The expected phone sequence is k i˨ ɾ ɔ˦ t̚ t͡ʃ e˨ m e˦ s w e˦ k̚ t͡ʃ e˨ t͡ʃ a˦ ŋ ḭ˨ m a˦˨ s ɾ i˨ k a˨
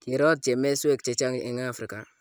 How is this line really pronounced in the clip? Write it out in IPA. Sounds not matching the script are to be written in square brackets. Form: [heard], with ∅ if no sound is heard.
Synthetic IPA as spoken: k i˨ ɾ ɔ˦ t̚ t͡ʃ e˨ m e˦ s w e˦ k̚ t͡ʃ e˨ t͡ʃ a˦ ŋ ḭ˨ [ŋ] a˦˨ [f] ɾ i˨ k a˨